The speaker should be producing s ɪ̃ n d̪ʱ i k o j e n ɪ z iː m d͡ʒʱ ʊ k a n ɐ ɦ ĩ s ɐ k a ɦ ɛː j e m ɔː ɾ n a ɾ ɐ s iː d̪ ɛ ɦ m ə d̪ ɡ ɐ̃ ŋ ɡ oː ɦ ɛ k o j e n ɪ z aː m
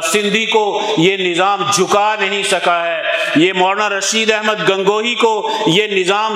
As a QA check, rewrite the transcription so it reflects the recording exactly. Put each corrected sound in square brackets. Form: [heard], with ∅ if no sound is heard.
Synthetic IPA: s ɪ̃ n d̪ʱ i k o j e n ɪ z [aː] m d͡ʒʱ ʊ k a n ɐ ɦ ĩ s ɐ k a ɦ ɛː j e m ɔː ɾ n a ɾ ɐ [ʃ] iː d̪ ɛ ɦ m ə d̪ ɡ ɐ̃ ŋ ɡ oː ɦ [i] k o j e n ɪ z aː m